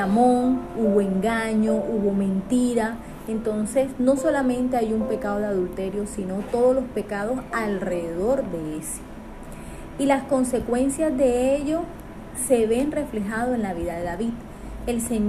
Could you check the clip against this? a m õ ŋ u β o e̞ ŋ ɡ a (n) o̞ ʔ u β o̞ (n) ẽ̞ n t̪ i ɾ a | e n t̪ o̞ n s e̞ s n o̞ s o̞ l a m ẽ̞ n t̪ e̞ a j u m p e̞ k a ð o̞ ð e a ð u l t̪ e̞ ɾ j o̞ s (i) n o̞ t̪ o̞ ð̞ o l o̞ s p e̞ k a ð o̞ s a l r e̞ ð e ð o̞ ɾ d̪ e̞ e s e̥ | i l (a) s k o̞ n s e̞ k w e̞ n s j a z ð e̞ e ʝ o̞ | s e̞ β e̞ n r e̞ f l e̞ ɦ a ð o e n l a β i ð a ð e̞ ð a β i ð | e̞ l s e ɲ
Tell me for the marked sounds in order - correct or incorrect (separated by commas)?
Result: incorrect, incorrect, correct, correct